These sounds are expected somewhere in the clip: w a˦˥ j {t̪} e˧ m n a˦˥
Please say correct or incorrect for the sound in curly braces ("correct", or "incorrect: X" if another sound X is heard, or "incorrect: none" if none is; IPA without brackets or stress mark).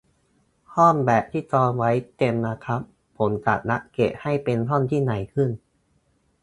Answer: correct